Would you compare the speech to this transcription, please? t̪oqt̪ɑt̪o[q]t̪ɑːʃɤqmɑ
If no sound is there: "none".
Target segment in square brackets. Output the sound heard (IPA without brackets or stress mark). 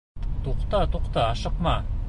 q